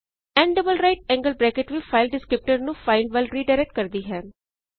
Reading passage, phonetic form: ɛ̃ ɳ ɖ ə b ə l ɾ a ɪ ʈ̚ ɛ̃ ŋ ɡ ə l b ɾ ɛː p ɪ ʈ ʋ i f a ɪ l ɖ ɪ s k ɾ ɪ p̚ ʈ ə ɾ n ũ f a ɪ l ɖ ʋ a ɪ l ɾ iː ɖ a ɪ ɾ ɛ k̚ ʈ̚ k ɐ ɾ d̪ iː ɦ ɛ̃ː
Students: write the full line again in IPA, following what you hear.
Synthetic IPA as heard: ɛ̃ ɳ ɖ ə b ə l ɾ a ɪ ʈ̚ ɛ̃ ŋ ɡ ə l b ɾ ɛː k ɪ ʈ ʋ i f a ɪ l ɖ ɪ s k ɾ ɪ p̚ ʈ ə ɾ n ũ f a ɪ l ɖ ʋ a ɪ l ɾ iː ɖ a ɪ ɾ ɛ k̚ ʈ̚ k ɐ ɾ d̪ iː ɦ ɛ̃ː